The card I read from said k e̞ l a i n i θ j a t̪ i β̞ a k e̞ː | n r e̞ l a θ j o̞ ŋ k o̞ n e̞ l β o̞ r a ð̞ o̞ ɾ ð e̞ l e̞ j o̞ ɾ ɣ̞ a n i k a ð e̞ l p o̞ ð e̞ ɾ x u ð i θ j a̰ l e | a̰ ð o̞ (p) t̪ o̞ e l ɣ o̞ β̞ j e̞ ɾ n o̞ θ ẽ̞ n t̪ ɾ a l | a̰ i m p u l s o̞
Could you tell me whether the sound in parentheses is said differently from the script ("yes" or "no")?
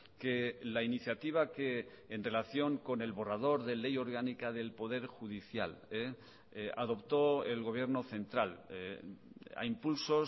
no